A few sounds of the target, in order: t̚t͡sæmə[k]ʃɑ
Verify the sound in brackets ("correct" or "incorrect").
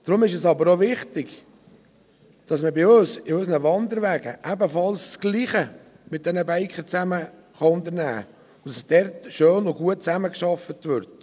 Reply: correct